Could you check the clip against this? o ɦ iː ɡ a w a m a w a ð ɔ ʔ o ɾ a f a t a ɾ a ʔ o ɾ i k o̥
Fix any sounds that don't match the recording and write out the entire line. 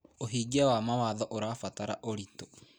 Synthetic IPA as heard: o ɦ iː ɡ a w a m a w a ð ɔ ʔ o ɾ a f a t a ɾ a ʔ o ɾ i t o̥